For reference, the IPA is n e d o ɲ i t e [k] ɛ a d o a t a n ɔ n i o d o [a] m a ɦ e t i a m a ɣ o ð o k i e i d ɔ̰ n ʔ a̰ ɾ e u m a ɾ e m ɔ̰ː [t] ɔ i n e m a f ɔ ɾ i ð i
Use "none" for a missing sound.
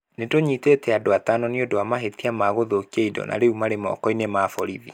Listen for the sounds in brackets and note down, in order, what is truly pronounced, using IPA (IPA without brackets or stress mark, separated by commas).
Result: t, a, k